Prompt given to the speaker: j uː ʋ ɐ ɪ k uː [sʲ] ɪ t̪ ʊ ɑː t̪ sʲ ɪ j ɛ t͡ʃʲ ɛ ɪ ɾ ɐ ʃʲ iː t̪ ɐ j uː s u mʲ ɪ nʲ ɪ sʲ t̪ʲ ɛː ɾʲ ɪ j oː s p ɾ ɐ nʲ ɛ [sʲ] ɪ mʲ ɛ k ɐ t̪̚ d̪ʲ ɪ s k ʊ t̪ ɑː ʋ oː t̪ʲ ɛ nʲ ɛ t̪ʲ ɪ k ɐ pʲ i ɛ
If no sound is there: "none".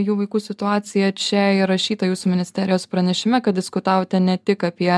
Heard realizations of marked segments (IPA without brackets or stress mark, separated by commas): sʲ, ʃʲ